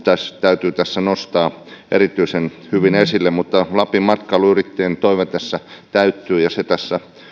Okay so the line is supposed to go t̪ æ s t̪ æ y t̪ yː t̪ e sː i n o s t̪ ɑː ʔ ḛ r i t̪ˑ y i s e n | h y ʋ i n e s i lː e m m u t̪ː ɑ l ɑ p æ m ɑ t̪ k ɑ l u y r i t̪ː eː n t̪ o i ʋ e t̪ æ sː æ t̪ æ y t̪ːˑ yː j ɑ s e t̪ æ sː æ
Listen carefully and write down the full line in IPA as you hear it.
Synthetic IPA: t̪ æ s t̪ æ y t̪ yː t̪ æ sː æ n o s t̪ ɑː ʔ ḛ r i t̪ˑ y i s e n | h y ʋ i n e s i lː e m m u t̪ː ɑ l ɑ p i m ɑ t̪ k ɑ l u y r i t̪ː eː n t̪ o i ʋ e t̪ æ sː æ t̪ æ y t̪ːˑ yː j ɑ s e t̪ æ sː æ